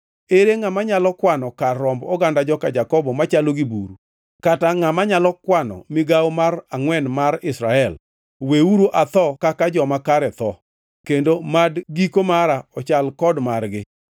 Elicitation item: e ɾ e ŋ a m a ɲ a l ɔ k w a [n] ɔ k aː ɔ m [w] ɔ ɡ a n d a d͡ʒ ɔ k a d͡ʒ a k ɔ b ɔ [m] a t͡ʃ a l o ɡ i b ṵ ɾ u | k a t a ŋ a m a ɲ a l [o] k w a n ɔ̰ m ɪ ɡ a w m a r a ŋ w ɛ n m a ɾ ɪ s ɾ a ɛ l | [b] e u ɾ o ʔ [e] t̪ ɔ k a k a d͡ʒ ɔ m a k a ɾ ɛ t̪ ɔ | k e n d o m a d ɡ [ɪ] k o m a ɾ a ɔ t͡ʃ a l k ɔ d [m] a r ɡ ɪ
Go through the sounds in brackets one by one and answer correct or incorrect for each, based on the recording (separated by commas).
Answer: correct, incorrect, correct, incorrect, incorrect, incorrect, incorrect, correct